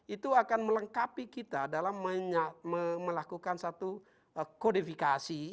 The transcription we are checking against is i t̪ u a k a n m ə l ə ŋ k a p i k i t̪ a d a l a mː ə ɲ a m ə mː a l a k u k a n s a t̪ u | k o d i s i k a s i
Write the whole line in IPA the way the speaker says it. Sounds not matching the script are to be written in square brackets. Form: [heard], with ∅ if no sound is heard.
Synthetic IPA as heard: i t̪ u a k a n m ə l ə ŋ k a p i k i t̪ a d a l a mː ə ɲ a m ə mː [ə] l a k u k a n s a t̪ u | k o d i [f] i k a s i

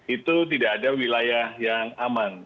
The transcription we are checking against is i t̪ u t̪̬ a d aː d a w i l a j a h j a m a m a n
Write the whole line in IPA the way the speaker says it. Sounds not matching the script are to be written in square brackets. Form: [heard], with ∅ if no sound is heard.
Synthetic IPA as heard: i t̪ u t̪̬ [i] d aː d a w i l a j a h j a [ŋ] a m a n

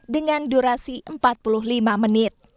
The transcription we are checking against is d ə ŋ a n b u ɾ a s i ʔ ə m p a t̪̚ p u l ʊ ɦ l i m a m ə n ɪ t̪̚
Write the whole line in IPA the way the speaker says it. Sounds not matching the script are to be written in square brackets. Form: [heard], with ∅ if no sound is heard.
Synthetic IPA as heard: d ə ŋ a n [d] u ɾ a s i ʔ ə m p a t̪̚ p u l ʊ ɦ l i m a m ə n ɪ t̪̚

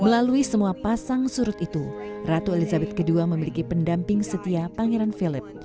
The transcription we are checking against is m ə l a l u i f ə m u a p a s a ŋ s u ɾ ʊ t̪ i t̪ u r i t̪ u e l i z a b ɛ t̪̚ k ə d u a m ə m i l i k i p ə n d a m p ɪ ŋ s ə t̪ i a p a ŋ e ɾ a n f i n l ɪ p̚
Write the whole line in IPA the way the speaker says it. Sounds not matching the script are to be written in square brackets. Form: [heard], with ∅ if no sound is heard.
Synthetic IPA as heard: m ə l a l u i [s] ə m u a p a s a ŋ s u ɾ ʊ t̪ i t̪ u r [a] t̪ u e l i z a b ɛ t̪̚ k ə d u a m ə m i l i k i p ə n d a m p ɪ ŋ s ə t̪ i a p a ŋ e ɾ a n f i [∅] l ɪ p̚

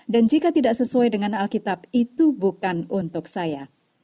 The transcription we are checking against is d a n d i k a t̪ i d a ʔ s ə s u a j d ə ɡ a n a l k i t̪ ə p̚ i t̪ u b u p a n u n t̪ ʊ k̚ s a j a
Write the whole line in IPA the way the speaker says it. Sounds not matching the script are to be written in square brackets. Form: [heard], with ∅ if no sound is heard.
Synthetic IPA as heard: d a n [d͡ʒ] i k a t̪ i d a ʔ s ə s u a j d ə [ŋ] a n a l k i t̪ [a] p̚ i t̪ u b u [k] a n u n t̪ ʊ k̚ s a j a

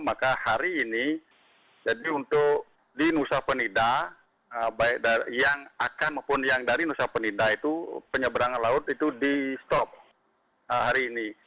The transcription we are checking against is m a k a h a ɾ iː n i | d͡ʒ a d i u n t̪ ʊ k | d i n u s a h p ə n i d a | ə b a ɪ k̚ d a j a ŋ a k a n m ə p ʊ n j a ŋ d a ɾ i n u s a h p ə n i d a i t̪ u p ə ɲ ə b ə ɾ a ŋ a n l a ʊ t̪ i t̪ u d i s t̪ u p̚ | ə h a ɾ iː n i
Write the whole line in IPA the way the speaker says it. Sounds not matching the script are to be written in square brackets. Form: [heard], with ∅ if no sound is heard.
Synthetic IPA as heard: m a k a h a ɾ iː n i | d͡ʒ a d i u n t̪ ʊ k | d i n u s a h p ə n i d a | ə b a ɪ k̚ d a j a ŋ a k a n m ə p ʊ n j a ŋ d a ɾ i n u s a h p ə n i d a i t̪ u p ə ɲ ə b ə ɾ a ŋ a n l a ʊ t̪ i t̪ u d i s t̪ [ɔ] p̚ | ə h a ɾ iː n i

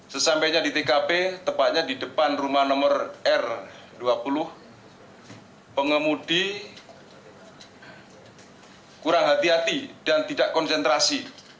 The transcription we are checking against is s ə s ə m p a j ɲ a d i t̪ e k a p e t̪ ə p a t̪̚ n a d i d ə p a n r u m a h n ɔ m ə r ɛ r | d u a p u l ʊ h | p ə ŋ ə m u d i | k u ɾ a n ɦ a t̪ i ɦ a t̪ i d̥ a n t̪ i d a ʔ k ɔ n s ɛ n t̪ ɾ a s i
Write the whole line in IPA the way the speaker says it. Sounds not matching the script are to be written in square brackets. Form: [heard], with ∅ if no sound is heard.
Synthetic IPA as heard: s ə s [a] m p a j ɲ a d i t̪ e k a p e t̪ ə p a t̪̚ [ɲ] a d i d ə p a n r u m a h n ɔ m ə r ɛ r | d u a p u l ʊ h | p ə ŋ ə m u d i | k u ɾ a [ŋ] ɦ a t̪ i ɦ a t̪ i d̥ a n t̪ i d a ʔ k ɔ n s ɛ n t̪ ɾ a s i

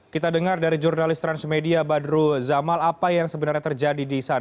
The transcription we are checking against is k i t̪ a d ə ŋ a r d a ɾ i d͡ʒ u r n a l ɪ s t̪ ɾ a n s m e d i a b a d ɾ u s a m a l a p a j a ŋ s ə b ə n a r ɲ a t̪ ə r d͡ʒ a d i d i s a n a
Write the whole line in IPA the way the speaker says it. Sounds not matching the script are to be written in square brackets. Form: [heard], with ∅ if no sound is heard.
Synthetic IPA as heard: k i t̪ a d ə ŋ a r d a ɾ i d͡ʒ u r n a l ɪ s t̪ ɾ a n s m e d i a b a d ɾ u [z] a m a l a p a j a ŋ s ə b ə n a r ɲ a t̪ ə r d͡ʒ a d i d i s a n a

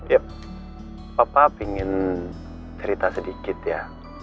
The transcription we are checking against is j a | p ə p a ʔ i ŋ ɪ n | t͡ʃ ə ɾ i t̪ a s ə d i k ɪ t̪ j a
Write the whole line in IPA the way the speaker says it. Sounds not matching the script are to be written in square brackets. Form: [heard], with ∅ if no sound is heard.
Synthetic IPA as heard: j a | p [a] p a [p] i ŋ ɪ n | t͡ʃ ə ɾ i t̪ a s ə d i k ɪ t̪ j a

